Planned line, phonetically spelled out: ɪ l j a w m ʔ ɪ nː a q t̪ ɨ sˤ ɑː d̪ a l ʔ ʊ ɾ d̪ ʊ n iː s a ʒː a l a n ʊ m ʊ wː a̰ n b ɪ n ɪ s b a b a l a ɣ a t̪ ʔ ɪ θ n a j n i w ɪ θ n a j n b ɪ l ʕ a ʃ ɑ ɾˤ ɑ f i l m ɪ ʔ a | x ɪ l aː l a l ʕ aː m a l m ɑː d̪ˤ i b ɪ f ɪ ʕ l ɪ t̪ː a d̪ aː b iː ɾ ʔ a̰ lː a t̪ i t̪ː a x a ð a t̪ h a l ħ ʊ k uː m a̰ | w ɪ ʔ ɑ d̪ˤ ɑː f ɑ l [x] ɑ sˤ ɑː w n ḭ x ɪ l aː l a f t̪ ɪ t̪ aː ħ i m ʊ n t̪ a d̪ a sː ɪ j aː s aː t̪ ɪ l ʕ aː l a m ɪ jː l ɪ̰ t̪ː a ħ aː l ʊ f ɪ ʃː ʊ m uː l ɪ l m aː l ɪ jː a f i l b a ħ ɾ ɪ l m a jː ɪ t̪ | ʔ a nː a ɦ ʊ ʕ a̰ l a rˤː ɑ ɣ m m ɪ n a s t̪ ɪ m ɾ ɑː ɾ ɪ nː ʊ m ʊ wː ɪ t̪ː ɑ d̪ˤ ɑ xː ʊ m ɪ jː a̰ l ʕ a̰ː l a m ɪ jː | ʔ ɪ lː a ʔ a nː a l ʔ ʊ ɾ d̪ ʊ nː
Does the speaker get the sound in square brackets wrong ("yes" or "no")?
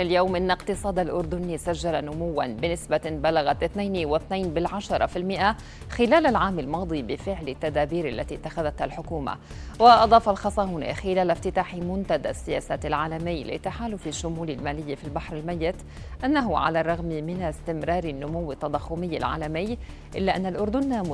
no